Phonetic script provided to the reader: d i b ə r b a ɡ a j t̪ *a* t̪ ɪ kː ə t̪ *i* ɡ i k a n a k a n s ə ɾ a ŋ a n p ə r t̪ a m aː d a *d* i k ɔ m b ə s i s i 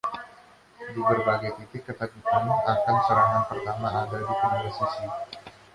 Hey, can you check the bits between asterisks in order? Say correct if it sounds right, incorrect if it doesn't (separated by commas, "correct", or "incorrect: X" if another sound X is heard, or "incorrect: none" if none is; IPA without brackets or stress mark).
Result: incorrect: i, incorrect: a, correct